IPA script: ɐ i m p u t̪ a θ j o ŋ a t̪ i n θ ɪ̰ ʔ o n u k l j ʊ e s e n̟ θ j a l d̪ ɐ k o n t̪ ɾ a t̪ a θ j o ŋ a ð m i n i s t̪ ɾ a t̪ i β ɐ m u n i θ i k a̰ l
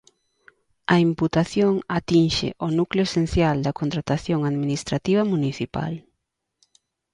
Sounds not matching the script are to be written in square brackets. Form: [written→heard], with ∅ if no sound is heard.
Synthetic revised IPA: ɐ i m p u t̪ a θ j o ŋ a t̪ i n [θ→ʃ] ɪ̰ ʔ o n u k l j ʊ e s e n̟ θ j a l d̪ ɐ k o n t̪ ɾ a t̪ a θ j o ŋ a ð m i n i s t̪ ɾ a t̪ i β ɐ m u n i θ i [k→p] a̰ l